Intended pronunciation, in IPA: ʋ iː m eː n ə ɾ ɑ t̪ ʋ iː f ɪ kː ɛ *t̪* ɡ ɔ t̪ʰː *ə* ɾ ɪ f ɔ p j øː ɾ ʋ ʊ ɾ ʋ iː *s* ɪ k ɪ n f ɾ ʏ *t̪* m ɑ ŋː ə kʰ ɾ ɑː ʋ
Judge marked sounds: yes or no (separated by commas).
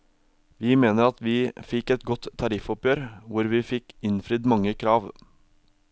yes, no, no, no